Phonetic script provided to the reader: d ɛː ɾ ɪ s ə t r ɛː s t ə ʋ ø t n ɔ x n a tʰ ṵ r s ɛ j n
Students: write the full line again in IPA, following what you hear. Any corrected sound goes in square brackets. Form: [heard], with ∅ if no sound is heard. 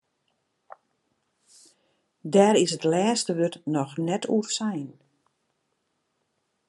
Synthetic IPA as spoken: d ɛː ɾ ɪ s ə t [l] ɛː s t ə ʋ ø t n ɔ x n [ɛ] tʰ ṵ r s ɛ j n